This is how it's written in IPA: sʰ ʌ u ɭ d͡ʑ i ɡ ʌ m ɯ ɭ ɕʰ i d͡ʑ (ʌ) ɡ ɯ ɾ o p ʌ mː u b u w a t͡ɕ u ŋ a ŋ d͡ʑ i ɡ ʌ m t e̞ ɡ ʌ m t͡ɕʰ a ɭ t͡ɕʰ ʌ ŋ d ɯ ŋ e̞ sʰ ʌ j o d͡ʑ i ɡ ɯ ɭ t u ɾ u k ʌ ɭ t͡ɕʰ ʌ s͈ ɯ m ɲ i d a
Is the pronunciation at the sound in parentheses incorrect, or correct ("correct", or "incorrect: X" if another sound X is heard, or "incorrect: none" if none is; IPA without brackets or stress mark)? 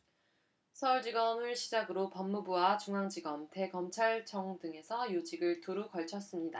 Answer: incorrect: a